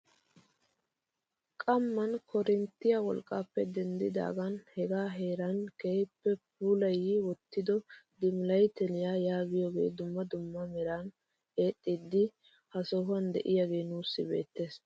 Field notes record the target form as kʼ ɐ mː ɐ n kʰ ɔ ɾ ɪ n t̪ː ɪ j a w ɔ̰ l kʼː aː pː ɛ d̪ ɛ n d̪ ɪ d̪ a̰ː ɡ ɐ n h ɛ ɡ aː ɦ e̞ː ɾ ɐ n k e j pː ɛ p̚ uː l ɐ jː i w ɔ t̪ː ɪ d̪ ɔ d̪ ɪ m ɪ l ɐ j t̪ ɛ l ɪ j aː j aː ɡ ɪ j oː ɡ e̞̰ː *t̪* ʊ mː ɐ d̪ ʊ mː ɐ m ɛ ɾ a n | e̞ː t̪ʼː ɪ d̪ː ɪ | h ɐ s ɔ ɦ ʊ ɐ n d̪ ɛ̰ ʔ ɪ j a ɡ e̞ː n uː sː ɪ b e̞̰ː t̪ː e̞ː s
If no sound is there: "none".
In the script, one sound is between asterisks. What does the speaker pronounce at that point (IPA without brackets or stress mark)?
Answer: d̪